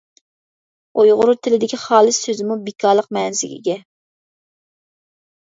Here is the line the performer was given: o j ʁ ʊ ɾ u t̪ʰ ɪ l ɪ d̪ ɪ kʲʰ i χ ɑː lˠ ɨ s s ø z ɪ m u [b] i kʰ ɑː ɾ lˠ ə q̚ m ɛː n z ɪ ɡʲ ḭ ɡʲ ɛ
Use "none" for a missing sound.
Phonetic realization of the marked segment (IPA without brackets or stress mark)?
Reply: b